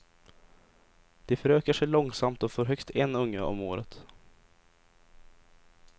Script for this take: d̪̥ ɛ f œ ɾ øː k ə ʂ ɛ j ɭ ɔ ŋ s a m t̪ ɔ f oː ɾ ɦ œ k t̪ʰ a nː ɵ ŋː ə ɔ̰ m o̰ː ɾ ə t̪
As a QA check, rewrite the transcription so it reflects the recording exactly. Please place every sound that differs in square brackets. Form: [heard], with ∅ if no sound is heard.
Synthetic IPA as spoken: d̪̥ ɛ f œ ɾ øː k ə ʂ ɛ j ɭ ɔ ŋ s a m t̪ ɔ f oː ɾ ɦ œ k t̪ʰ [ɛ] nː ɵ ŋː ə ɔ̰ m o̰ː ɾ ə t̪

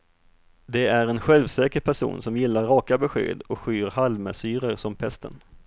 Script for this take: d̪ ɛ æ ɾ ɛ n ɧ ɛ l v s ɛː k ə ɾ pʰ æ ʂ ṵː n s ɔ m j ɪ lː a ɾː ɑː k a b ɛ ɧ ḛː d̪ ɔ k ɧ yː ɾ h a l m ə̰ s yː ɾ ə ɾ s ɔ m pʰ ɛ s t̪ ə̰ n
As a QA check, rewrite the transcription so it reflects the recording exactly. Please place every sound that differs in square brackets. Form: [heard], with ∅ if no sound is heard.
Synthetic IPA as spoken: d̪ ɛ æ ɾ ɛ n ɧ ɛ l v s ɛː k ə ɾ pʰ æ ʂ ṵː n s ɔ m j ɪ lː a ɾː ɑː k a b ɛ ɧ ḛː d̪ ɔ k ɧ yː ɾ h a l m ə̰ s yː ɾ ə ɾ s ɔ m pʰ ɛ s t̪ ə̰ n

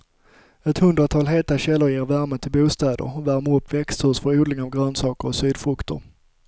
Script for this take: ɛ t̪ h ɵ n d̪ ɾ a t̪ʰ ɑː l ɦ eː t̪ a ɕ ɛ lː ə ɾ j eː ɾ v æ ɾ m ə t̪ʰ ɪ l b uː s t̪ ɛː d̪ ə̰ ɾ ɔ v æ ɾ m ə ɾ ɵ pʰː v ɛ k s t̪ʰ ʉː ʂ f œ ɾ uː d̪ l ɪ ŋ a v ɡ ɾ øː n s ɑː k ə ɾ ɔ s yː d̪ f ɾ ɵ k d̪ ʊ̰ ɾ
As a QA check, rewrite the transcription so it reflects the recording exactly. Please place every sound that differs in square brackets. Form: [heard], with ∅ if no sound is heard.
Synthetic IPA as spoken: ɛ t̪ h ɵ n d̪ ɾ a t̪ʰ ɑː l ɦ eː t̪ a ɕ ɛ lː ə ɾ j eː ɾ v æ ɾ m ə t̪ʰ ɪ l b uː s t̪ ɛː d̪ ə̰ ɾ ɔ v æ ɾ m ə ɾ ɵ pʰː v ɛ k s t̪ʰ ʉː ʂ f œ ɾ uː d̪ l ɪ ŋ a v ɡ ɾ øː n s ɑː k ə ɾ ɔ s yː d̪ f ɾ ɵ k [t̪] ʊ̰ ɾ

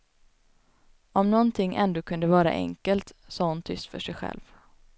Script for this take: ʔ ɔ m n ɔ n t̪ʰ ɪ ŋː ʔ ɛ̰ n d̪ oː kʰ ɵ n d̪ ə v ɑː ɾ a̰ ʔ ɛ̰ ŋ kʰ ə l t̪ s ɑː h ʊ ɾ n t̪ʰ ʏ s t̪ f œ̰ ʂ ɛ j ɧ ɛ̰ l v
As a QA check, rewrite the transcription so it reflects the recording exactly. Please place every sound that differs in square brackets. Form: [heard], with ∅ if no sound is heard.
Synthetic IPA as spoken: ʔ ɔ m n ɔ n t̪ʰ ɪ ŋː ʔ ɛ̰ n d̪ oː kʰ ɵ n d̪ ə v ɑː ɾ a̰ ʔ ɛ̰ ŋ [k] ə l t̪ s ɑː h ʊ [∅] n t̪ʰ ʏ s t̪ f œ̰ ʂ ɛ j ɧ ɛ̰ l v

